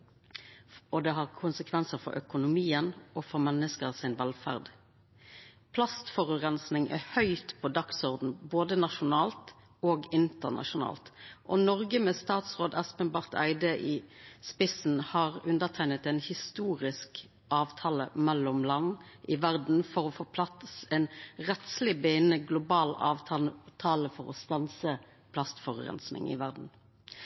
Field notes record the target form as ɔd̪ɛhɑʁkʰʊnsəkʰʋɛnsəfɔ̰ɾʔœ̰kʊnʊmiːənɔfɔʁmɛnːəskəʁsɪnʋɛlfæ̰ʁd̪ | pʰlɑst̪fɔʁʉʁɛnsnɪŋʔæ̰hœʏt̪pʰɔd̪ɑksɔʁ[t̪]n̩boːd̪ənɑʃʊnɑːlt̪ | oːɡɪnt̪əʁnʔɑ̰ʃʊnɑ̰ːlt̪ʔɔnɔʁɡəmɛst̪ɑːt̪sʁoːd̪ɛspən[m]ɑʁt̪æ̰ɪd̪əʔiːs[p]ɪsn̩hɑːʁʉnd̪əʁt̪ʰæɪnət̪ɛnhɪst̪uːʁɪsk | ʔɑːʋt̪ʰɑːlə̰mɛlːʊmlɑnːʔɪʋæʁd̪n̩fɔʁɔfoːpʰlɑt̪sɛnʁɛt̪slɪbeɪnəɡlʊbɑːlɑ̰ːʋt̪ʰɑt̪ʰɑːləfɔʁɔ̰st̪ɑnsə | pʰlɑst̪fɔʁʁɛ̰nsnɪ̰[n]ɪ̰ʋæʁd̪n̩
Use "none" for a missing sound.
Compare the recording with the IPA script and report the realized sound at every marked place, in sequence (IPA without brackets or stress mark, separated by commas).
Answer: d̪, b, p, ŋ